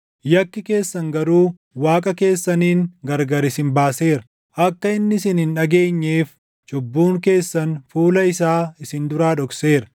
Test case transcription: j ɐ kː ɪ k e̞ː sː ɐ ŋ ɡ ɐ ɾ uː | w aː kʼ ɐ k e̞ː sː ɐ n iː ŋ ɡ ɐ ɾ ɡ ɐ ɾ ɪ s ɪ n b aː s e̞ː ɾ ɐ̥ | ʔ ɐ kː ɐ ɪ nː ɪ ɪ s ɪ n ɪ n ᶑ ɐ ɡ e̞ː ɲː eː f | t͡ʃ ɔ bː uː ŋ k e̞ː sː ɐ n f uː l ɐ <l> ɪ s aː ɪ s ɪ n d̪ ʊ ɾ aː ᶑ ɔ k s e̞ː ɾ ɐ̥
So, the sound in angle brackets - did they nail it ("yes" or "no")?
no